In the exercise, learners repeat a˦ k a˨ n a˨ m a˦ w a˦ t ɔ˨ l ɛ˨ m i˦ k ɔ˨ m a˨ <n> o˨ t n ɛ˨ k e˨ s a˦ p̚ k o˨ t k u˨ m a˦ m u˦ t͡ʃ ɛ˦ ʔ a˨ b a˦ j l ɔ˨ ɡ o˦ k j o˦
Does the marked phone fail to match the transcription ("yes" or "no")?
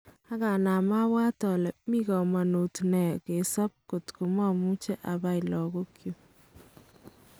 no